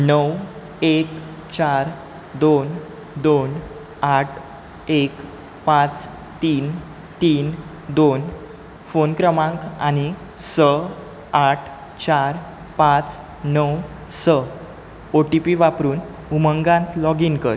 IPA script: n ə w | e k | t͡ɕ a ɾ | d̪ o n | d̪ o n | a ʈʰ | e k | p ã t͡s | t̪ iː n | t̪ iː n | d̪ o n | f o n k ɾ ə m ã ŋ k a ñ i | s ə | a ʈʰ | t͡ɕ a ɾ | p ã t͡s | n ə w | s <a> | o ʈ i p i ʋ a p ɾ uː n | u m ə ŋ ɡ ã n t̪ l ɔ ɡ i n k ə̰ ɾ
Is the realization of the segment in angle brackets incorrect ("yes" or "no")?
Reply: yes